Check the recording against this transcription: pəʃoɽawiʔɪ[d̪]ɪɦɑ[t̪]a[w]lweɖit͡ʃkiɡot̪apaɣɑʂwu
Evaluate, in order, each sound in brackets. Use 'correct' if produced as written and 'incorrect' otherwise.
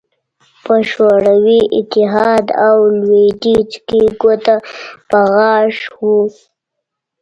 incorrect: t̪, incorrect: d̪, correct

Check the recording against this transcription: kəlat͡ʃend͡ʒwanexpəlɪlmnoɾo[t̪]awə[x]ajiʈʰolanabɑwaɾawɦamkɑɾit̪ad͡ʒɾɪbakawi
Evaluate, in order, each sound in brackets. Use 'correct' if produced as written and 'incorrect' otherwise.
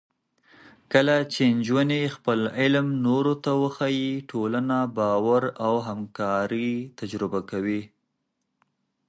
correct, correct

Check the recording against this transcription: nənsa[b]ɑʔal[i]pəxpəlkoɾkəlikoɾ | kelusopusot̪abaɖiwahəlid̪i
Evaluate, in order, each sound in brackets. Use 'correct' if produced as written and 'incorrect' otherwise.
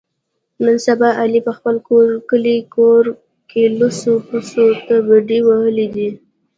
correct, correct

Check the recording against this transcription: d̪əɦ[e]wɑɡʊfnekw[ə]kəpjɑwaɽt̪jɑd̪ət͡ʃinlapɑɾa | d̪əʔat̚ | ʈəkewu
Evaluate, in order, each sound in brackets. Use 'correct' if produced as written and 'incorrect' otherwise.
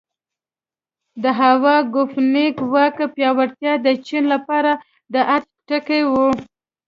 incorrect: a, incorrect: ɑ

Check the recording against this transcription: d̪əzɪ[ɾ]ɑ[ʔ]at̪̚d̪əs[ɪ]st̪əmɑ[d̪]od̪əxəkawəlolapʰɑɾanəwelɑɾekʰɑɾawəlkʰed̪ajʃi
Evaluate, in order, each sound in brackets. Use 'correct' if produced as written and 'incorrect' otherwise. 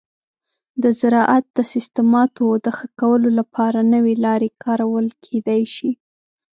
correct, correct, correct, incorrect: t̪

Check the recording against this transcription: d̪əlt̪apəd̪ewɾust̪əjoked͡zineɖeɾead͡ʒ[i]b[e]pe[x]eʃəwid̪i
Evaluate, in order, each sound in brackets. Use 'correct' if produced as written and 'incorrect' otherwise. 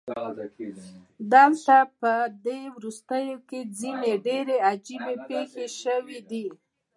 correct, correct, correct

